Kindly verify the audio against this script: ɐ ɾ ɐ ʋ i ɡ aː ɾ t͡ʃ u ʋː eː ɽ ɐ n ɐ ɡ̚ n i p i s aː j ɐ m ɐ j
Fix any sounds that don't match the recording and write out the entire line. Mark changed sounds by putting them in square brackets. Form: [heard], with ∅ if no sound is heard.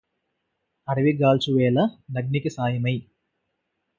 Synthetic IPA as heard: ɐ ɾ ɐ ʋ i ɡ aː [l] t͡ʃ u [ʋ] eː [l] ɐ n ɐ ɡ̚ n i [k] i s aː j ɐ m ɐ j